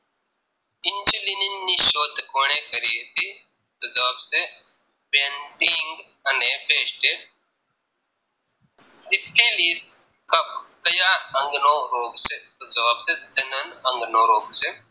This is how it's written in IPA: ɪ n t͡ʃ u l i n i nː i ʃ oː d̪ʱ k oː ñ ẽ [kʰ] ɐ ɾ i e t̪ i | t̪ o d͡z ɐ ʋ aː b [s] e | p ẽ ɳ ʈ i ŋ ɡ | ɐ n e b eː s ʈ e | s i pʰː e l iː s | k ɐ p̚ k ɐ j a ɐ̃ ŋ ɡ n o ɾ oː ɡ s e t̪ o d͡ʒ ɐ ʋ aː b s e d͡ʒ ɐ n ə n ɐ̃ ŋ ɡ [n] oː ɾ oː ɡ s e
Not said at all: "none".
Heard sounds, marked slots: k, s, n

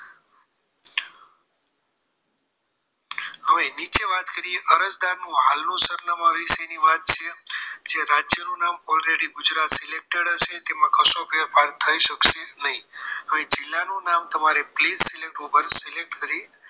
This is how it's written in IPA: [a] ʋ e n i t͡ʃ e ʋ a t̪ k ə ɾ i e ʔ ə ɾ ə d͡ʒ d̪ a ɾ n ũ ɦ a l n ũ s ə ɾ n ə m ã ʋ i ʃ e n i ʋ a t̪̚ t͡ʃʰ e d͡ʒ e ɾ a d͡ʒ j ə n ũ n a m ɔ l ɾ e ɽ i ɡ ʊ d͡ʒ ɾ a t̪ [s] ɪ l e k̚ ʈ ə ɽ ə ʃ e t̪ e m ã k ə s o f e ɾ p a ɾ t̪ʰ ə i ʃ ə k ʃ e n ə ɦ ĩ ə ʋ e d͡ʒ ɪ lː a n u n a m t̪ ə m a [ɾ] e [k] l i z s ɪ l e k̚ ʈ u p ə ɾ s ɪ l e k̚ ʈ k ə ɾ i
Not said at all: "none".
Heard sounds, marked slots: ə, s, ɾ, p

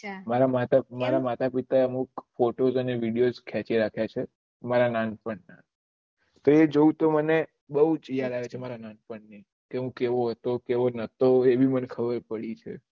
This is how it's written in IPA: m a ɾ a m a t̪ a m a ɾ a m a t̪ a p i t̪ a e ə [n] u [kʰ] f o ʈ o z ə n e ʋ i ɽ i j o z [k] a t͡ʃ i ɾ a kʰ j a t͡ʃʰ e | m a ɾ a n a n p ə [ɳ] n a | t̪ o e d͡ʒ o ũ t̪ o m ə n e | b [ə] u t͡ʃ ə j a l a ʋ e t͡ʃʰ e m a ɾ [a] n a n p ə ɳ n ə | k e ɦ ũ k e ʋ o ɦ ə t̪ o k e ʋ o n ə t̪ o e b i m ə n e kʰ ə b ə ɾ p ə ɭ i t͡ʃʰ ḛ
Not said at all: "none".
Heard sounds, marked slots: m, k, kʰ, ɳ, ə, a

